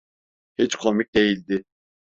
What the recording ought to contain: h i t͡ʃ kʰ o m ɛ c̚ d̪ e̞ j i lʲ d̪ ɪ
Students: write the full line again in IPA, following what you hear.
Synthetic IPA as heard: h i t͡ʃ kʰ o m i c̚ d̪ e̞ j i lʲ d̪ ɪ